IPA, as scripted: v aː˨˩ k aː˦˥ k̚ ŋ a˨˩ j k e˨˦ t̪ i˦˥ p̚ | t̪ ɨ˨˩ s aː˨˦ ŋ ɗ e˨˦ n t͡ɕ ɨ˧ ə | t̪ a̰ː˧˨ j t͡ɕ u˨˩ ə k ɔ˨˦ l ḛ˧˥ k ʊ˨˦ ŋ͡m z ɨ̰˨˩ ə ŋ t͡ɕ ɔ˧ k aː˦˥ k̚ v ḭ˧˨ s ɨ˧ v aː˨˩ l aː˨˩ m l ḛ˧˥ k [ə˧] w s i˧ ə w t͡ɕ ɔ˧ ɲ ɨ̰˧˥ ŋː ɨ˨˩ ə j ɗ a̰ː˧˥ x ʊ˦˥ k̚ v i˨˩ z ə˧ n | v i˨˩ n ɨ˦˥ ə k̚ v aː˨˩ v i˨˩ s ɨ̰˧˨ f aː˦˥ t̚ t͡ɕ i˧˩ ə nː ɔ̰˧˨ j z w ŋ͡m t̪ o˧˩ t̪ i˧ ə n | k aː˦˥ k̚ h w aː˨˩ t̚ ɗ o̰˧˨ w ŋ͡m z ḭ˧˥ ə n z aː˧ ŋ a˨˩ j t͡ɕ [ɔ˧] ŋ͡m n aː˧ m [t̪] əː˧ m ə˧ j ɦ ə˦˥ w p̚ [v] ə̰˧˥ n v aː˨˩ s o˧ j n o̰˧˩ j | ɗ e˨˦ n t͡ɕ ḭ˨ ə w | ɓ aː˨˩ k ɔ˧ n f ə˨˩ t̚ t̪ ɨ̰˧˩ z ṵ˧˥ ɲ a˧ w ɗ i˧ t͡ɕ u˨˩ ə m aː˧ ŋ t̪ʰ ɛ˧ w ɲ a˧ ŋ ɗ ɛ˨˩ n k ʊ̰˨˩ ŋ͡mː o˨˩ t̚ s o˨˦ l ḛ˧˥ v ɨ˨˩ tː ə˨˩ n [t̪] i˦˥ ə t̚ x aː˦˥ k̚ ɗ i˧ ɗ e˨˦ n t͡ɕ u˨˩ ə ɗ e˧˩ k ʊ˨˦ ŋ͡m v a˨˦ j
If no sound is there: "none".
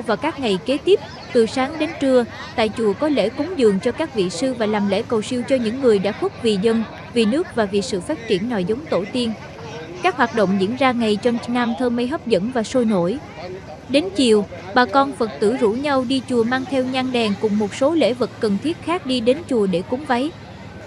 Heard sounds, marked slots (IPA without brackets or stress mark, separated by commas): ə˨˩, ɔ˧, t̪ʰ, z, t̪ʰ